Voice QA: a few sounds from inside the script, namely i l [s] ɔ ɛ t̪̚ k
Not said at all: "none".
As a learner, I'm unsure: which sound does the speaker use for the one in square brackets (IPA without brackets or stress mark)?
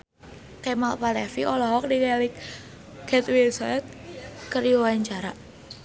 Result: s